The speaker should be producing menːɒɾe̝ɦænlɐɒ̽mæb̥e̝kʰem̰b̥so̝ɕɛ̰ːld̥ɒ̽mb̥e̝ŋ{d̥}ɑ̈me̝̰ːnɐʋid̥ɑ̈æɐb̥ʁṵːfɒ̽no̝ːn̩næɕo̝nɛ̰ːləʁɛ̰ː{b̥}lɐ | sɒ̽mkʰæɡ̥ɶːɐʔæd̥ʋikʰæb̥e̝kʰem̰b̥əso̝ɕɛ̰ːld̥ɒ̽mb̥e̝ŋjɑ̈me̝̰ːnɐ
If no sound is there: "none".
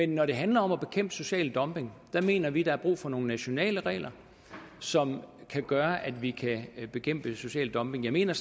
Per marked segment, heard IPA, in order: d̥, none

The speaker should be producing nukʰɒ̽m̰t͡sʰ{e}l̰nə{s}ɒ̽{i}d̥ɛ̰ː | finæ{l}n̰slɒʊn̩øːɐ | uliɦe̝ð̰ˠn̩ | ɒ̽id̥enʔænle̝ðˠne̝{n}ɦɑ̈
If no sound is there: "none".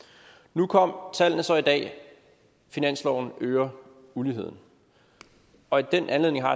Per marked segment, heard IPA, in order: æ, s, i, none, ŋ

